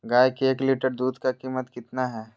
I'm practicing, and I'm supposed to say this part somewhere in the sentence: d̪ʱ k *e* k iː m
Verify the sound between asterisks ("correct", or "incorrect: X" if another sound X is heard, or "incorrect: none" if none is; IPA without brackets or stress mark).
incorrect: a